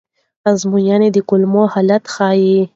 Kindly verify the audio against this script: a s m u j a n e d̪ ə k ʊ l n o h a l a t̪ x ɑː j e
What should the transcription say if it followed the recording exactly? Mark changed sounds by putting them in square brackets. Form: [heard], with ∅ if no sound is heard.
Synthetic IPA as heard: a [z] m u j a n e d̪ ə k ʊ l [m] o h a l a t̪ x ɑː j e